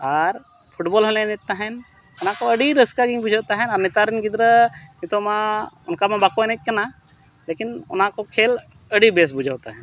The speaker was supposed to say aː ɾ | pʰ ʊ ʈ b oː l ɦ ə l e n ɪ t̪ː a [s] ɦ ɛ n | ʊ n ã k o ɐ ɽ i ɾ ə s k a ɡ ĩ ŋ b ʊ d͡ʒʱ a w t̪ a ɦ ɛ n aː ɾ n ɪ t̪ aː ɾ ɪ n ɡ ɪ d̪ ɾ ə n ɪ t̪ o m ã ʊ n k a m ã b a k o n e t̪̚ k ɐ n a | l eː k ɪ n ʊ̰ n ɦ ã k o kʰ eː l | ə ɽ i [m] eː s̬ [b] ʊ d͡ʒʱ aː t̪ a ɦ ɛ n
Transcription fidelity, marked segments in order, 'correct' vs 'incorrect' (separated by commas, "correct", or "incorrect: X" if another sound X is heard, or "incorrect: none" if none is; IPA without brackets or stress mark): incorrect: none, incorrect: b, correct